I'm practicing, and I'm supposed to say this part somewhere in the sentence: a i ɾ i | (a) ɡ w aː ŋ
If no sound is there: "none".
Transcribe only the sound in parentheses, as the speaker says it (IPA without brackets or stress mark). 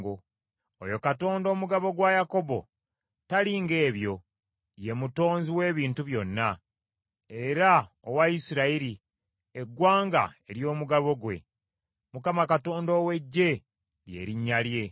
e